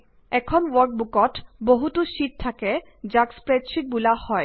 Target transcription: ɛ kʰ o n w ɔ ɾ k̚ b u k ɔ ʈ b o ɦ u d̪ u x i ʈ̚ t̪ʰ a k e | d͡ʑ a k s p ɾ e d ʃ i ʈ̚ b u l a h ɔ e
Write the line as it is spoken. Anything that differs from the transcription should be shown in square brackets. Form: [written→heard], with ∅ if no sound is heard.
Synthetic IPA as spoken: ɛ kʰ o n w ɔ ɾ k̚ b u k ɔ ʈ b o ɦ u [d̪→t̪] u [x→ʃ] i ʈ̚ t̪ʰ a k e | d͡ʑ a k s p ɾ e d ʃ i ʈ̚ b u l a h ɔ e